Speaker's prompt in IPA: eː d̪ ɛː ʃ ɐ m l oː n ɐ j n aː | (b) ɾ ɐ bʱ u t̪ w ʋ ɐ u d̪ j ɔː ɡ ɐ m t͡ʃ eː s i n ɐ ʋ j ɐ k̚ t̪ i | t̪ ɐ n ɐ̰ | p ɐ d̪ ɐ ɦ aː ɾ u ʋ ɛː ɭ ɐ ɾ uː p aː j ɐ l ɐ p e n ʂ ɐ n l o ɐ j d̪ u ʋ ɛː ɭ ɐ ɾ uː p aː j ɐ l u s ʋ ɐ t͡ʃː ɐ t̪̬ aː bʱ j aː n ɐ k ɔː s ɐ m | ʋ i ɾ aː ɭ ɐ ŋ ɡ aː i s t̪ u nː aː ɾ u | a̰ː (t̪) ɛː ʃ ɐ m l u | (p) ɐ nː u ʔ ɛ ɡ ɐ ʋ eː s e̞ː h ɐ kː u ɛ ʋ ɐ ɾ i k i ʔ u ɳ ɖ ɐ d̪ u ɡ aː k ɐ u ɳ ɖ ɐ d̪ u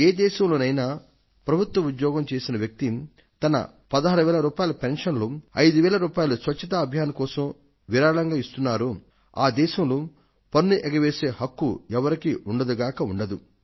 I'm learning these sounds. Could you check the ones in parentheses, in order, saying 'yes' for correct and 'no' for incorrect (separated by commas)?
no, no, yes